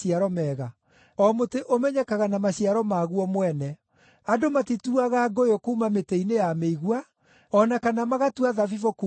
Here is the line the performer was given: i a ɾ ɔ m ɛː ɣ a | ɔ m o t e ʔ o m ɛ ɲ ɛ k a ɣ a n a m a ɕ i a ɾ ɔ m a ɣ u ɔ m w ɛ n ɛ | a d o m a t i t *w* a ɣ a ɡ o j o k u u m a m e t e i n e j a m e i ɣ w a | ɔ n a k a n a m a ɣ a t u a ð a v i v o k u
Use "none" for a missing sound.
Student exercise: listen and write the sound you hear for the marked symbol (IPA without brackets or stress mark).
u